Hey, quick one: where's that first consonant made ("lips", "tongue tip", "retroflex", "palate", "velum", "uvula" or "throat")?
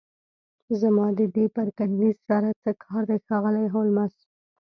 tongue tip